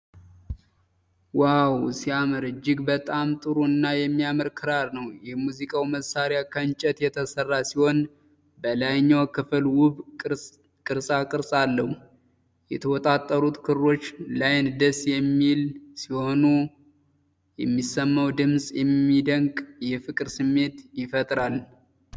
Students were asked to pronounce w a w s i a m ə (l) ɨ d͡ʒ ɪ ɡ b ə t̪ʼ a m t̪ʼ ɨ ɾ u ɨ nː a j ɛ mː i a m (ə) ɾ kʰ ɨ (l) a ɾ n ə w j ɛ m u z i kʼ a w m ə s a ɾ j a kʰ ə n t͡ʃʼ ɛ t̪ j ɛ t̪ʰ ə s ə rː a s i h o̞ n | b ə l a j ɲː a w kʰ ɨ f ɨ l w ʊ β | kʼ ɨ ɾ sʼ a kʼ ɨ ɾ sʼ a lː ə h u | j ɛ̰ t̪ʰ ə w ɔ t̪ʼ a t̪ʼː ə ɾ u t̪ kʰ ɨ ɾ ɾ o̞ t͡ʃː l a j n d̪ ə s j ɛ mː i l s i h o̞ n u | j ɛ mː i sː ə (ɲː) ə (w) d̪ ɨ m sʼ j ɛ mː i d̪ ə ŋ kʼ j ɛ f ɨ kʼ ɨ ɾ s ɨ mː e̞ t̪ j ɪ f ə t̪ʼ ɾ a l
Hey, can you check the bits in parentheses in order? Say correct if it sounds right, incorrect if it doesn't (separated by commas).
incorrect, correct, incorrect, incorrect, correct